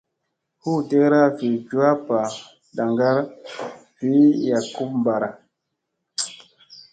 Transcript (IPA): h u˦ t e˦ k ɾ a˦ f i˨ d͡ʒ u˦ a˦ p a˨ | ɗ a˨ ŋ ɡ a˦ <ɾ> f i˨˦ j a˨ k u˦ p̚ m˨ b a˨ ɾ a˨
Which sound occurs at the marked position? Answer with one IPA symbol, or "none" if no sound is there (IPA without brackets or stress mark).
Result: ɾ